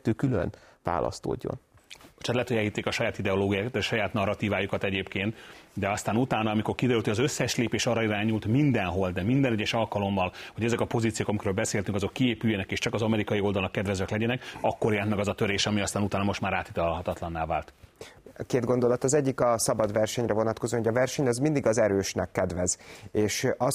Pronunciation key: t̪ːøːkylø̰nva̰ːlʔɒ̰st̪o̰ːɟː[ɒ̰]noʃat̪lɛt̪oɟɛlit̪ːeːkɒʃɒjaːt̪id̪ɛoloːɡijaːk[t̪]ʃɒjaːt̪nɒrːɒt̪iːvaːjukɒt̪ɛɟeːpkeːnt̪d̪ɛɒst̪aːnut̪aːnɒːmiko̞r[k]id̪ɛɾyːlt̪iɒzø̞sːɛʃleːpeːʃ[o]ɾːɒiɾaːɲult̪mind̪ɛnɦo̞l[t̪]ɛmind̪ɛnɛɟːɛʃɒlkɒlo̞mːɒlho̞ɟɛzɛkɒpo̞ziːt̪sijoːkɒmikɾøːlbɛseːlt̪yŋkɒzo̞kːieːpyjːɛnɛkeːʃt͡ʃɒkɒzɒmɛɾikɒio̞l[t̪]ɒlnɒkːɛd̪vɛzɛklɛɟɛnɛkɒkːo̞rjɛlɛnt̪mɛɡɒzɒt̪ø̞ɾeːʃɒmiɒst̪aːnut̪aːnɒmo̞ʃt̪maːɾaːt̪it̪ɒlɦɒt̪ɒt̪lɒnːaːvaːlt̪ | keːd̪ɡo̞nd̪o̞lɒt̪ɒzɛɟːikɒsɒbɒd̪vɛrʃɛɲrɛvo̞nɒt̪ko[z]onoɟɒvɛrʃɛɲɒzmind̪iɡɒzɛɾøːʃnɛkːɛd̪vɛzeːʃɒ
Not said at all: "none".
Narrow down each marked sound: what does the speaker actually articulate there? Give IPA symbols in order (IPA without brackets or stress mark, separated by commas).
o̰, t̪, k, ɒ, d̪, d̪, z